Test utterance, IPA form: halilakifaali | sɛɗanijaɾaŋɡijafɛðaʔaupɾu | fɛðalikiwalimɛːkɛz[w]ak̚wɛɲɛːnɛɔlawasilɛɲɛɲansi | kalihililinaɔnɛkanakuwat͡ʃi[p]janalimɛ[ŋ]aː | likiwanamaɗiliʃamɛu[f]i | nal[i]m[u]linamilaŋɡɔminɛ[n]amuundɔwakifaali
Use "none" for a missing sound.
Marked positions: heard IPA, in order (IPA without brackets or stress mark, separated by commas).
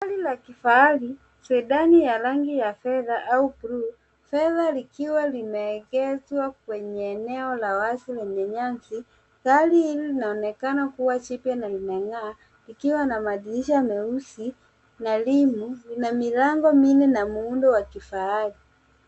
w, p, ŋ, s, i, u, n